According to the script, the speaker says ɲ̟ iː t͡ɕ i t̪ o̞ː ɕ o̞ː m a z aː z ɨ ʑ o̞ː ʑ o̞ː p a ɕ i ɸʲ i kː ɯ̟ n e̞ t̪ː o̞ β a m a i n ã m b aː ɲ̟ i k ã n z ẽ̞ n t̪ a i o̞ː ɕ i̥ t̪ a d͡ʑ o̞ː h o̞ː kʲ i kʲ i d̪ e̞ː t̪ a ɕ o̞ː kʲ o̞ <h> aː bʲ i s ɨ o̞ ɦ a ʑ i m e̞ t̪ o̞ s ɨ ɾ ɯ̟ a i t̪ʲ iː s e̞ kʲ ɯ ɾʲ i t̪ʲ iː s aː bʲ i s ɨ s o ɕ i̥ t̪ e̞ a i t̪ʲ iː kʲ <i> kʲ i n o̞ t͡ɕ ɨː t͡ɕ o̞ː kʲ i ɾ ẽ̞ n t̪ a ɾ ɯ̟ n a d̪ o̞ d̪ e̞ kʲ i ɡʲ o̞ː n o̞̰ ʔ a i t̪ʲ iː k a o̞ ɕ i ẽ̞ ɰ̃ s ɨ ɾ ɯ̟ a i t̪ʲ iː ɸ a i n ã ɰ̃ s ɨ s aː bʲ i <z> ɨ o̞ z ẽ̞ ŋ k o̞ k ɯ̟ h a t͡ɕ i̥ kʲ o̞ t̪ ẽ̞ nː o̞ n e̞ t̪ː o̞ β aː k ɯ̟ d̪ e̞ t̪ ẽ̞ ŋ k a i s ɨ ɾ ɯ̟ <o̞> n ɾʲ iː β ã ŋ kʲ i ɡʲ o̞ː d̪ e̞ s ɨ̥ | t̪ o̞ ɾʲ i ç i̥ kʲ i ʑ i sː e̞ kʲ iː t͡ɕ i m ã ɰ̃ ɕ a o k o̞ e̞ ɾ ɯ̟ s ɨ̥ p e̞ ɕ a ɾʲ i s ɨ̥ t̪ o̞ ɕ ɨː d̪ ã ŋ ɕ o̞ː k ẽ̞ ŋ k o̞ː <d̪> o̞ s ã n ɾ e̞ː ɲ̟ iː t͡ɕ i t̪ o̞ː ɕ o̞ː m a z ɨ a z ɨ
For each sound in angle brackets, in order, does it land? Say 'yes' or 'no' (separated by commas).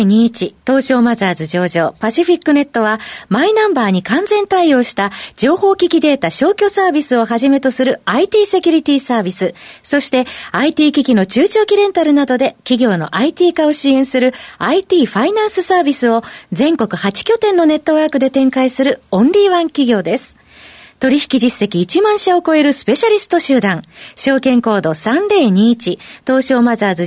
no, yes, no, no, yes